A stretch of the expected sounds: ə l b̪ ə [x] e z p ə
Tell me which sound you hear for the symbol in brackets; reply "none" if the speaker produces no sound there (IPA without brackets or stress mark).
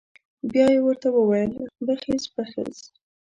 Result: x